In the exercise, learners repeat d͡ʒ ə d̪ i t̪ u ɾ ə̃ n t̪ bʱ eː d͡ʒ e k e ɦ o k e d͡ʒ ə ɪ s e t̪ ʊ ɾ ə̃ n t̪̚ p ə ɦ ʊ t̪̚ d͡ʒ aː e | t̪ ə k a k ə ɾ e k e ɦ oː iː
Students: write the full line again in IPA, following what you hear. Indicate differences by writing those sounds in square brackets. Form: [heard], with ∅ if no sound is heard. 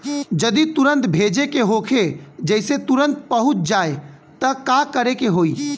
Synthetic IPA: d͡ʒ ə d̪ i t̪ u ɾ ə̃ n t̪ bʱ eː d͡ʒ e k e ɦ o [kʰ] e d͡ʒ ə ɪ s e t̪ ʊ ɾ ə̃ n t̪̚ p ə ɦ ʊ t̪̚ d͡ʒ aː e | t̪ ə k a k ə ɾ e k e ɦ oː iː